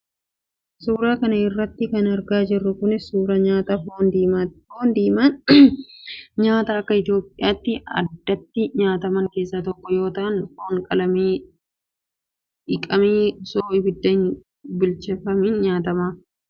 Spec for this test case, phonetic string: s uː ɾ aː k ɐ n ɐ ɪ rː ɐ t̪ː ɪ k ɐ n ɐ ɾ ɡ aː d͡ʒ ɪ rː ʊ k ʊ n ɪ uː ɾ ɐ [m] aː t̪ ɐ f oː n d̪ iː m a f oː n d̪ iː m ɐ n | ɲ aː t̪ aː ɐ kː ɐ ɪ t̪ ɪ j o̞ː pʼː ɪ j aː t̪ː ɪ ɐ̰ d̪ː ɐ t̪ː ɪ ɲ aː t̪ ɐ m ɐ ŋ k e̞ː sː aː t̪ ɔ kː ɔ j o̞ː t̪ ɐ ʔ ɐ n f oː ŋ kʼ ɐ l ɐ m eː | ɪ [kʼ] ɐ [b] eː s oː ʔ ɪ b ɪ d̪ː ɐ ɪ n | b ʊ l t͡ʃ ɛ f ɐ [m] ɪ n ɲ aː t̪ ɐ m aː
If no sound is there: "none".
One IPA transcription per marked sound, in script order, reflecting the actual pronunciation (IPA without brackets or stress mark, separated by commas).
ɲ, kʼ, m, m